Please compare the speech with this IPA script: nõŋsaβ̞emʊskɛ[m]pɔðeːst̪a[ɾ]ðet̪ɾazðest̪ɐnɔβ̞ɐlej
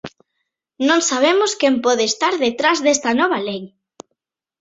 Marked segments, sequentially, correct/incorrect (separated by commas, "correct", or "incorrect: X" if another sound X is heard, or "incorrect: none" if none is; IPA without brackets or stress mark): correct, correct